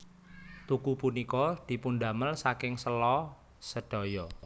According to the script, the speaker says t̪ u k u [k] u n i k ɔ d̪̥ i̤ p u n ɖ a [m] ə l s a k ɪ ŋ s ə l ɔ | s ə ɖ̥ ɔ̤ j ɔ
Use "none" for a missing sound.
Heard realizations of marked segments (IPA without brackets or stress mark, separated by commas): p, m